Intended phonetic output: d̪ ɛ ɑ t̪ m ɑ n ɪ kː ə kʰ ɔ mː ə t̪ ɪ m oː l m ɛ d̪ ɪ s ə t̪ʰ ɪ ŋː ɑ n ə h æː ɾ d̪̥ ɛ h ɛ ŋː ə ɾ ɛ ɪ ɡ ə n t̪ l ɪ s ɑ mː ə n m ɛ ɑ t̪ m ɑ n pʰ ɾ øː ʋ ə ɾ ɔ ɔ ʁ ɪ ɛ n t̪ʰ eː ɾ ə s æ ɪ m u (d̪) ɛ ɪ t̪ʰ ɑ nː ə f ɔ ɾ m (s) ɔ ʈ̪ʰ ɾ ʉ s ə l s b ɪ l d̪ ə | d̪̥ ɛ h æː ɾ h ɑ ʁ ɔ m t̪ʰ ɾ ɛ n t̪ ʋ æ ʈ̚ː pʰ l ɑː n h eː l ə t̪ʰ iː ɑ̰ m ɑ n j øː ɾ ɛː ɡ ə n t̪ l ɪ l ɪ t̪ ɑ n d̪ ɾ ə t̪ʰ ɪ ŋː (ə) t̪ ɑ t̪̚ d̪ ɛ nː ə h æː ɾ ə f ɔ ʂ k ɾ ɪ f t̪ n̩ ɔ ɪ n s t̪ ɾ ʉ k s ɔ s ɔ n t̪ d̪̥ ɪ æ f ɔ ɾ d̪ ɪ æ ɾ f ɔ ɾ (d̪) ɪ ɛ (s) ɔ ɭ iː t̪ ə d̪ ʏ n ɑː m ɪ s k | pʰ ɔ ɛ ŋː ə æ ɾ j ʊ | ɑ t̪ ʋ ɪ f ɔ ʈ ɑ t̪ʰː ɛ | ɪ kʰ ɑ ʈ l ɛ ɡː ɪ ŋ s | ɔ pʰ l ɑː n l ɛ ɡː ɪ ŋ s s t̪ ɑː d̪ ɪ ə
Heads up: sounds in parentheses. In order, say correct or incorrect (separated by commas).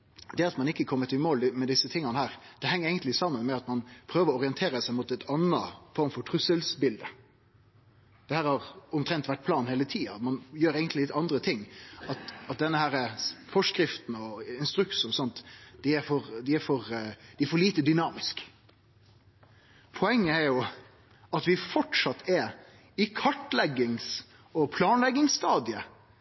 incorrect, incorrect, incorrect, correct, incorrect